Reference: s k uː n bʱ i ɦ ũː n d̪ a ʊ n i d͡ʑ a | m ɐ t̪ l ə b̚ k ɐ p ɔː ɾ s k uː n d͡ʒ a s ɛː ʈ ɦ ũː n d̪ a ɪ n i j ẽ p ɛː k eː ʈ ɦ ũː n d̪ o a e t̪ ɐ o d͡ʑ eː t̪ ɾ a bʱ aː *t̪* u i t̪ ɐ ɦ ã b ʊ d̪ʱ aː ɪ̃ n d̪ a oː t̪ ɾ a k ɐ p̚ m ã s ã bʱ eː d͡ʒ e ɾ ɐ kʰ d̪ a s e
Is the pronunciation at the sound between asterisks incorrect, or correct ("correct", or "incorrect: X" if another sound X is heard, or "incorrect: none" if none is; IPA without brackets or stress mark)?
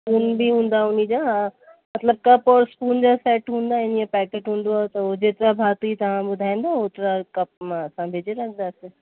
correct